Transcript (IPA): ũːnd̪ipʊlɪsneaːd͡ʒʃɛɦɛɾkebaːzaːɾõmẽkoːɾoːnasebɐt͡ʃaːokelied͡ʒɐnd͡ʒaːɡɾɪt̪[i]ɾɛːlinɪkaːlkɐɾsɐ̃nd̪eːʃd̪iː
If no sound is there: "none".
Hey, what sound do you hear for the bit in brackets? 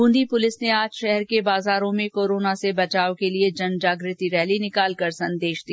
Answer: i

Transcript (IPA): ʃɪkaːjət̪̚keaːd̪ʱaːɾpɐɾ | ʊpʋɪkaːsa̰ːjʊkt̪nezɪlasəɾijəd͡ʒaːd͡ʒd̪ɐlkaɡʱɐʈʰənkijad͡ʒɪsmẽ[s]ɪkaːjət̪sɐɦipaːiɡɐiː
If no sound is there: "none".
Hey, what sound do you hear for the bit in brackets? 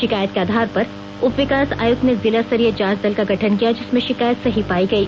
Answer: ʃ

